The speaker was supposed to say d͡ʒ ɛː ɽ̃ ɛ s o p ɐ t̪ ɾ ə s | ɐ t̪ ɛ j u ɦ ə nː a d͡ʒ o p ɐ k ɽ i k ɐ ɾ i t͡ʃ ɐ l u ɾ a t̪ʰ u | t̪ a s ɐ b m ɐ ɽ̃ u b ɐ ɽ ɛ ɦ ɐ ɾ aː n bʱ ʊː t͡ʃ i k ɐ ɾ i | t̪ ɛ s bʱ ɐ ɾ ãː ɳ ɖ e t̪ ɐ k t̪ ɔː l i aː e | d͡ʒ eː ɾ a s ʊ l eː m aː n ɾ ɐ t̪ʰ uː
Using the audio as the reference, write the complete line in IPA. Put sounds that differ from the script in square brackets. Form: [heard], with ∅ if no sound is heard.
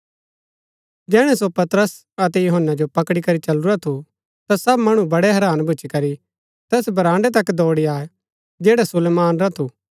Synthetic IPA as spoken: d͡ʒ ɛː ɽ̃ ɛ s o p ɐ t̪ ɾ ə s | ɐ t̪ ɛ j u ɦ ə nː a d͡ʒ o p ɐ k ɽ i k ɐ ɾ i t͡ʃ ɐ l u ɾ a t̪ʰ u | t̪ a s ɐ b m ɐ ɽ̃ u b ɐ ɽ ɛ ɦ ɐ ɾ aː n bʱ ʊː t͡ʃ i k ɐ ɾ i | t̪ [ɛː] s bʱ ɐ ɾ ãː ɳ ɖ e t̪ ɐ k [d̪] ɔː [ɽ] i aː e | d͡ʒ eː [ɽ] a s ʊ l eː m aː n ɾ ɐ t̪ʰ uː